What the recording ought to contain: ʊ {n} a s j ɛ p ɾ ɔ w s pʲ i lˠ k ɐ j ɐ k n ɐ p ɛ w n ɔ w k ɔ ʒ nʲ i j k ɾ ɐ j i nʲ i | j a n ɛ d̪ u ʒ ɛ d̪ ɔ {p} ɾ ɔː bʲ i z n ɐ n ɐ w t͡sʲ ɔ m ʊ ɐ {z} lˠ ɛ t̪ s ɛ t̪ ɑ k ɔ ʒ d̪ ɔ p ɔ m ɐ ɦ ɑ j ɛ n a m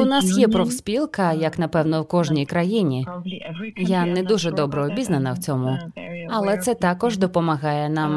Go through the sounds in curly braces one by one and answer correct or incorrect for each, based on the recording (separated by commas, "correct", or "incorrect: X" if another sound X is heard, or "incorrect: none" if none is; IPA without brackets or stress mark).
correct, incorrect: b, incorrect: none